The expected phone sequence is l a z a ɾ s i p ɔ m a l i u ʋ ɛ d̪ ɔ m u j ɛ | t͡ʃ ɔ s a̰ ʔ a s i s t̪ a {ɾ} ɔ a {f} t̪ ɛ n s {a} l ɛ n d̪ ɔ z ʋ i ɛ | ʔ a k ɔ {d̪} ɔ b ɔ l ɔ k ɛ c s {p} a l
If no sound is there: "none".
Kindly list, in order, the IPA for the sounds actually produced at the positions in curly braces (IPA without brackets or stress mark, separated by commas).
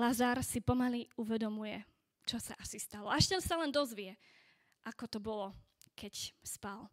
l, ʃ, a, t̪, p